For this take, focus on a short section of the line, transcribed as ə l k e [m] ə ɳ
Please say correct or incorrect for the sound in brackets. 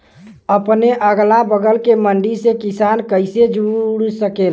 correct